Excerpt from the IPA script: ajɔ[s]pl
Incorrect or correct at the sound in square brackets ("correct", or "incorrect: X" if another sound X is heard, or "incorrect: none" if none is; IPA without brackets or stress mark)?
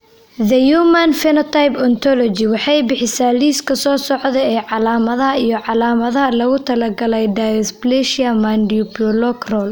correct